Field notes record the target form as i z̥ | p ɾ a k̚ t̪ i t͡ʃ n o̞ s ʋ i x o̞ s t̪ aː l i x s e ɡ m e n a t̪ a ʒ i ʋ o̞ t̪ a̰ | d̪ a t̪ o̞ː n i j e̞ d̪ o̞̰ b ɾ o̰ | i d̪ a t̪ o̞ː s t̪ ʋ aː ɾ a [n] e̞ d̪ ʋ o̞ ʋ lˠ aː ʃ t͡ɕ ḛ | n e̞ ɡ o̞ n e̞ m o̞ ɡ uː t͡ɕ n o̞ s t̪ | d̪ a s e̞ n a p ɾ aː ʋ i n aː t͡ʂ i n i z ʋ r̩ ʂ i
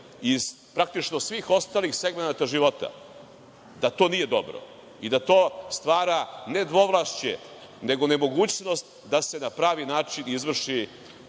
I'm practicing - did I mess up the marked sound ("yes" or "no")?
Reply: no